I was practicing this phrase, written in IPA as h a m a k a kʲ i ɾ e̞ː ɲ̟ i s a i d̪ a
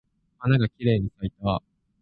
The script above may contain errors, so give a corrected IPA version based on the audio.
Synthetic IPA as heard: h a n a ɡ a kʲ i ɾ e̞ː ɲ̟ i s a i t̪ a